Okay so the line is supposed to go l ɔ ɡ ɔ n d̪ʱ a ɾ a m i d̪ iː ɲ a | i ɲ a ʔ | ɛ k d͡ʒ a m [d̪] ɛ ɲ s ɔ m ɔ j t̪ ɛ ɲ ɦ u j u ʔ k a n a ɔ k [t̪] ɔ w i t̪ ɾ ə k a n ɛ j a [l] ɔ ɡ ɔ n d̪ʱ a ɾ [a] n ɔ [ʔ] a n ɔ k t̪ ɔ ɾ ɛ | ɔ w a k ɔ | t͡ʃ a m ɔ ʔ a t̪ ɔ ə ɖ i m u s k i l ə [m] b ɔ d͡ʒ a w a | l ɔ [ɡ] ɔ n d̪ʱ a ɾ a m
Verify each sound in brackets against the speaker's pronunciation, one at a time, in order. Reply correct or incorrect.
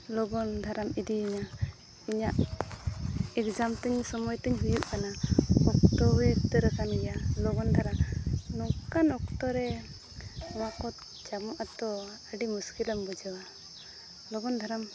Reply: incorrect, correct, correct, correct, incorrect, correct, correct

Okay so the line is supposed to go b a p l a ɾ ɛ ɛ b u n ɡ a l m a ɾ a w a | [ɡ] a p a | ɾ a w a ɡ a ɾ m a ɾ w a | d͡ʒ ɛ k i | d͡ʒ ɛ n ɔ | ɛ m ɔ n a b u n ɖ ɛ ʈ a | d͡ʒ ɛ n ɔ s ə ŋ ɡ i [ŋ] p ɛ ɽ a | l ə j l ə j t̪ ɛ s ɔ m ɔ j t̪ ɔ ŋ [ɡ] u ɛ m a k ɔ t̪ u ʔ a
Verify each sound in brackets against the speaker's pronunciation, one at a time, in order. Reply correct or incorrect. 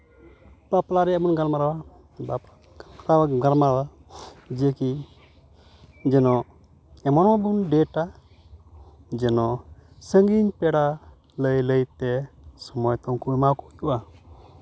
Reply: incorrect, incorrect, incorrect

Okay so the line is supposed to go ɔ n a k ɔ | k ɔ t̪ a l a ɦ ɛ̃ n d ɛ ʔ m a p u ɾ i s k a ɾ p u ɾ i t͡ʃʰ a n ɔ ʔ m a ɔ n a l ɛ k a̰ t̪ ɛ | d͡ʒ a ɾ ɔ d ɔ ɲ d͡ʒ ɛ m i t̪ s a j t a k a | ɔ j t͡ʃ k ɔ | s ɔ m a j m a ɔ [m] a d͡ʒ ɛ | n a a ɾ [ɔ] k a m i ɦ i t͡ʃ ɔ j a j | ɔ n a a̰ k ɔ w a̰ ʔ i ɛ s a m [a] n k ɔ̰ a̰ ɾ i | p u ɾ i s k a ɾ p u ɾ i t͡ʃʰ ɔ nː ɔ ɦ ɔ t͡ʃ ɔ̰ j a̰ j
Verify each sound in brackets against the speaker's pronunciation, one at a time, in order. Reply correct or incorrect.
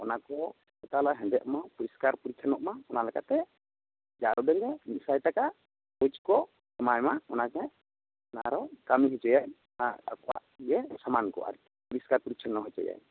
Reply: incorrect, correct, correct

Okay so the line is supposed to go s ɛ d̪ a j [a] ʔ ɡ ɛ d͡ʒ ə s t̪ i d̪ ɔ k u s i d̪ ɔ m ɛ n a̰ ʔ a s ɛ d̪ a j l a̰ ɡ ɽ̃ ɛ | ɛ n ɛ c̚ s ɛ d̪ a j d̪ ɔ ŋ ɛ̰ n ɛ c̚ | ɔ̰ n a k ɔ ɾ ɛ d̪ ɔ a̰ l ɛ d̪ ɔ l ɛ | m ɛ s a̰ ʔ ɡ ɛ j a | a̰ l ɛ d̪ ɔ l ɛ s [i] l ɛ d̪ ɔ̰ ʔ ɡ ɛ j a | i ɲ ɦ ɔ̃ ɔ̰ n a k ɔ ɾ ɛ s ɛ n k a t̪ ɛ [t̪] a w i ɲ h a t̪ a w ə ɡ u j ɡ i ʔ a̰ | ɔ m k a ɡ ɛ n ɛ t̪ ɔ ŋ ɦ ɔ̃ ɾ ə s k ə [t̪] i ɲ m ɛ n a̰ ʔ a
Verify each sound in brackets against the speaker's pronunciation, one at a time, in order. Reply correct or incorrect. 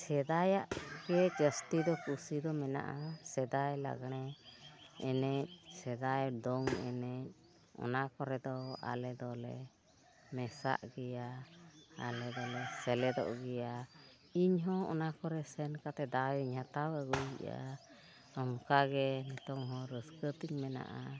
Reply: correct, incorrect, incorrect, correct

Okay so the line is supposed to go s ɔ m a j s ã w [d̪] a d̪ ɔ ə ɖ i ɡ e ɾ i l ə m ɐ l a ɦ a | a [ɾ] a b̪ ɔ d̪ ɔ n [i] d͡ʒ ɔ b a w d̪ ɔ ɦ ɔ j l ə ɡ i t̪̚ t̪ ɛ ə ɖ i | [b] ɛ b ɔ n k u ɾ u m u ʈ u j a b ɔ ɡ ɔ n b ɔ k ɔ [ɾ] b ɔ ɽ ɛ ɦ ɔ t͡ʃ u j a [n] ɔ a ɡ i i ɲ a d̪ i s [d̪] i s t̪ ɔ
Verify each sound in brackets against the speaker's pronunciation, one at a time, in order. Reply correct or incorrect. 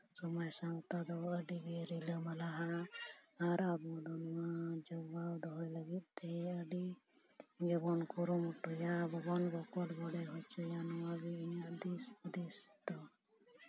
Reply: incorrect, correct, incorrect, incorrect, incorrect, correct, correct

